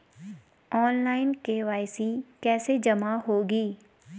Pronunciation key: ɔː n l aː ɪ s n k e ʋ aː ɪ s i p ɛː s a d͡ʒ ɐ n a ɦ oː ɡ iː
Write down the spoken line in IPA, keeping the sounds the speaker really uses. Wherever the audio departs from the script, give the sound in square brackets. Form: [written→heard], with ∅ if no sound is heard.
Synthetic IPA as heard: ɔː n l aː ɪ [s→∅] n k e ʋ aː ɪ s i [p→k] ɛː s [a→e] d͡ʒ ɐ [n→m] a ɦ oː ɡ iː